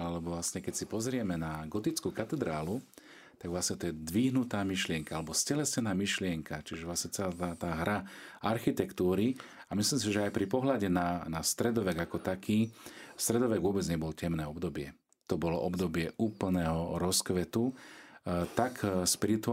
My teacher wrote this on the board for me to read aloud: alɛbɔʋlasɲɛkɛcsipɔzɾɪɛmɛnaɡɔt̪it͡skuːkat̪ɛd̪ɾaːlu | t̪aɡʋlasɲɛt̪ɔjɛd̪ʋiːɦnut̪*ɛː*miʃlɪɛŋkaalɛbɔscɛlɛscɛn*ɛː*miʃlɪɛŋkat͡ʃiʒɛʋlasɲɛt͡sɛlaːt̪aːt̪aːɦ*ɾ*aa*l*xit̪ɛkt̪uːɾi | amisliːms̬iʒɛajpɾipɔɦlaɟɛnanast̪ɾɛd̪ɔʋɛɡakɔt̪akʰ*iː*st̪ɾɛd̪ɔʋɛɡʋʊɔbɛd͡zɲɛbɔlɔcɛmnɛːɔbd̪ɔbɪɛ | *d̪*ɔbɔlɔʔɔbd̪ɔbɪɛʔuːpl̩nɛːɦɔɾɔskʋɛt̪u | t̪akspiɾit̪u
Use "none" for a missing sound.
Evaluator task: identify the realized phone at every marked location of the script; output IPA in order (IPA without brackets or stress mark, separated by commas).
aː, aː, ɾ, ɾ, iː, t̪